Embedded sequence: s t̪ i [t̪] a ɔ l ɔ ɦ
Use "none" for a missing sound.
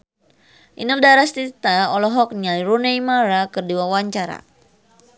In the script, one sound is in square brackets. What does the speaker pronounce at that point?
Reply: t̪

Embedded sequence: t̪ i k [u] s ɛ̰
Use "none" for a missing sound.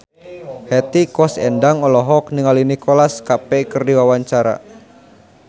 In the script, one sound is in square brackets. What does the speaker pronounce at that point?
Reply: ɔ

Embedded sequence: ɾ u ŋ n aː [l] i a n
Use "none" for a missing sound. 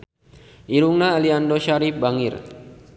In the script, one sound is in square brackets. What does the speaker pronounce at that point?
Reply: l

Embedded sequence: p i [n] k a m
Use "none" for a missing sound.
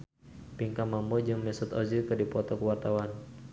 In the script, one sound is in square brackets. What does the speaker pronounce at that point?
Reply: ŋ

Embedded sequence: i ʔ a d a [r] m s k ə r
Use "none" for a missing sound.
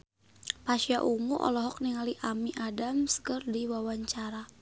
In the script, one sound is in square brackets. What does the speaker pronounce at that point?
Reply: none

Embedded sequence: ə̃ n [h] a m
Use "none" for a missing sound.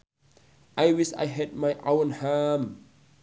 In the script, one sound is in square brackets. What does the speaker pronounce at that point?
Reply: h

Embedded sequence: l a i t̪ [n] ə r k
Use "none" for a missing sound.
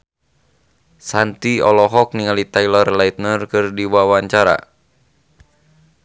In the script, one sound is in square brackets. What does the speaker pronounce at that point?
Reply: n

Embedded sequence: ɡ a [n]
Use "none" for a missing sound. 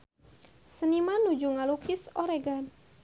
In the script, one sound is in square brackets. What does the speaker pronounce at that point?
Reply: n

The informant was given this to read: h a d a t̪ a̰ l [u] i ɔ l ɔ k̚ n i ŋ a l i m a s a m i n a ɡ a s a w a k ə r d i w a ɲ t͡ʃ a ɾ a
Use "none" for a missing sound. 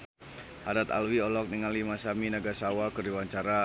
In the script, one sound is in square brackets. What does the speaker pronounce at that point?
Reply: w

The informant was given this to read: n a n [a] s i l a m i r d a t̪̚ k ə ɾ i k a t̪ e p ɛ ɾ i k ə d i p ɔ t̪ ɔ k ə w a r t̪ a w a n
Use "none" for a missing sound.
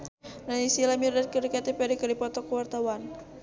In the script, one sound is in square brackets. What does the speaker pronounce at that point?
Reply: i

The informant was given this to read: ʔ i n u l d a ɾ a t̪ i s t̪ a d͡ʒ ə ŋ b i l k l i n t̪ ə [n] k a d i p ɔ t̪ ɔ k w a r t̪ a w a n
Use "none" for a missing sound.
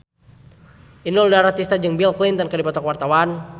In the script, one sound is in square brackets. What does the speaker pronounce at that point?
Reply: n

